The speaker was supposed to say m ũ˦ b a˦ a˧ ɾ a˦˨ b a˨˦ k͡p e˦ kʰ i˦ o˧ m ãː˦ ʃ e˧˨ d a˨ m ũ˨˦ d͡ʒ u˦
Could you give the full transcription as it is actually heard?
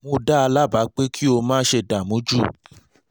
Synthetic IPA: m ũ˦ d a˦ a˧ l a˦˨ b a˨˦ k͡p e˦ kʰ i˦ o˧ m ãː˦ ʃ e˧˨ d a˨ m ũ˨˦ d͡ʒ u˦